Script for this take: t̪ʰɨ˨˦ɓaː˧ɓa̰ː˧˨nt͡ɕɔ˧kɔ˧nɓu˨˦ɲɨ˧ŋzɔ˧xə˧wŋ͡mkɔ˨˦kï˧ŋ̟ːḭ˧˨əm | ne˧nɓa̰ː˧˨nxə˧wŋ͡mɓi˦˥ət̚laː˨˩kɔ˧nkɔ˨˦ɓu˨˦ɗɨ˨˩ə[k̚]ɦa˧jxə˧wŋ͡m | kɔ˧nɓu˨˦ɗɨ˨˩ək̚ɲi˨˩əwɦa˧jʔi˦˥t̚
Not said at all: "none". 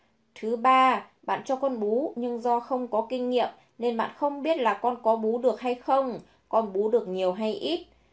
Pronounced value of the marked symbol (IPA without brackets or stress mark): k̚